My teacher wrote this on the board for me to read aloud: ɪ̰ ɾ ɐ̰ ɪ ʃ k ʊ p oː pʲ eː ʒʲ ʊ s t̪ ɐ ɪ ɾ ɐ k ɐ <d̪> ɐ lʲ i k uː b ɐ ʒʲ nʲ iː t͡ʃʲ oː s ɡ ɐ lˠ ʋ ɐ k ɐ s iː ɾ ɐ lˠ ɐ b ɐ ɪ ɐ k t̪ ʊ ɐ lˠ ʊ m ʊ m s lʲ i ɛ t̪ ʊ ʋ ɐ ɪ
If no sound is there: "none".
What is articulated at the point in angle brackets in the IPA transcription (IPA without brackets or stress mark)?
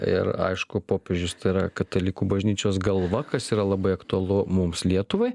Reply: t̪